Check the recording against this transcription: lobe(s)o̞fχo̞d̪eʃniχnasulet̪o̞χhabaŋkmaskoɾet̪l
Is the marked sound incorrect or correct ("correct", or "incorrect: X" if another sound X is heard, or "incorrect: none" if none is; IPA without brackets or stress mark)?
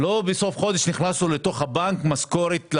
correct